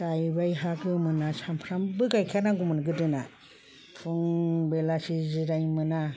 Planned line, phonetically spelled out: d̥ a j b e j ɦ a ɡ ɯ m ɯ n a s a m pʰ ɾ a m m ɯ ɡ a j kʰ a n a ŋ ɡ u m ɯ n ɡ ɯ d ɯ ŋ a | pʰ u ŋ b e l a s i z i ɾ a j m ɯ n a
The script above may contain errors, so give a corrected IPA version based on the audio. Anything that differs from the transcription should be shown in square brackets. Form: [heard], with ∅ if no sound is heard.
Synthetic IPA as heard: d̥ a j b [a] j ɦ a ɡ ɯ m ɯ n a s a m pʰ ɾ a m [b] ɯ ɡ a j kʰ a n a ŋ ɡ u m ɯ n ɡ ɯ d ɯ [n] a | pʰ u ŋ b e l a s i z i ɾ a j m ɯ n a